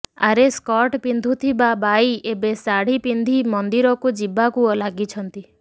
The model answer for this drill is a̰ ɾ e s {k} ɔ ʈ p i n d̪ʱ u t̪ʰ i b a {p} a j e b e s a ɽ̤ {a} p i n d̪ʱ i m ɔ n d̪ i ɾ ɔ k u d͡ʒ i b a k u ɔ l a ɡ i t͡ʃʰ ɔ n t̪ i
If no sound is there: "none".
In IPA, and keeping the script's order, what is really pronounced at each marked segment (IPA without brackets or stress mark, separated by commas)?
k, b, i